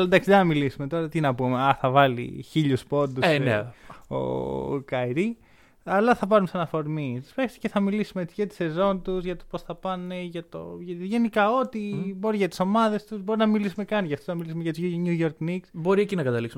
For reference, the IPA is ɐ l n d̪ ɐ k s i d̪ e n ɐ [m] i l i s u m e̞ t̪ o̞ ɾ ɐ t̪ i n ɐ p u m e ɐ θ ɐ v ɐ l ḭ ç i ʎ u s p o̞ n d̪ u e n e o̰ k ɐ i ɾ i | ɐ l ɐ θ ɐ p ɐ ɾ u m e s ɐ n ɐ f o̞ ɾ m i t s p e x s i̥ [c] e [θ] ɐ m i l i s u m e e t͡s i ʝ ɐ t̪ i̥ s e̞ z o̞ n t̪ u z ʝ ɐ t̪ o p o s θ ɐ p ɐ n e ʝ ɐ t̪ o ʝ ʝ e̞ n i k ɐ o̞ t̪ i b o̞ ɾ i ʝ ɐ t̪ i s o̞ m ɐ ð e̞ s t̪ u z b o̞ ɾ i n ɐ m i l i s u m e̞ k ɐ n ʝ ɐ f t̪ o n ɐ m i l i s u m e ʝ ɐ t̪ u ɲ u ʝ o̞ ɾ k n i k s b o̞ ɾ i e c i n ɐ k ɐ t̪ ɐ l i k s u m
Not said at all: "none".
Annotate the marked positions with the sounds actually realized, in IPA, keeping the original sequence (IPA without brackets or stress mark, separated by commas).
m, c, θ